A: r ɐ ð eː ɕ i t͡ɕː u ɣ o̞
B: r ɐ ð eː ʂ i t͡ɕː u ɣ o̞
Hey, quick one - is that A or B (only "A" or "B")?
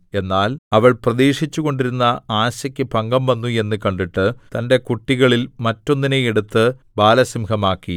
B